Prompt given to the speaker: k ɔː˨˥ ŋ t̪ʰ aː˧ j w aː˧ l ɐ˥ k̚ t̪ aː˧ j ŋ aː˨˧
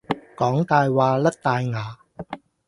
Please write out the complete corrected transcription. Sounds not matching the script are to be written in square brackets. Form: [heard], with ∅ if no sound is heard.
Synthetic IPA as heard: k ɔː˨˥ ŋ [t̪] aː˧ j w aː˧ l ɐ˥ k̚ t̪ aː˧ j ŋ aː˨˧